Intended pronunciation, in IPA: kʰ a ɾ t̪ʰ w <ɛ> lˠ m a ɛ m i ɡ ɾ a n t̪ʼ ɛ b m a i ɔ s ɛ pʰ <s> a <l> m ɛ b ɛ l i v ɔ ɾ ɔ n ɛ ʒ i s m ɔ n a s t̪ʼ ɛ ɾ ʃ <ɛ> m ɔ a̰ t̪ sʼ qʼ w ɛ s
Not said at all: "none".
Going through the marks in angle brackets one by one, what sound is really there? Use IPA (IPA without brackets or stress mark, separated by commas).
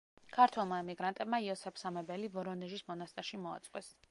ɛ, s, none, i